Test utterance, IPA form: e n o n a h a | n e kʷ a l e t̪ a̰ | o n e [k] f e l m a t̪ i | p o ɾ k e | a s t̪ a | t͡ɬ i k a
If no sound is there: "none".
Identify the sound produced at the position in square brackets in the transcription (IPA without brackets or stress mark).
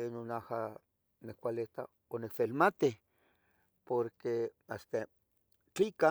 k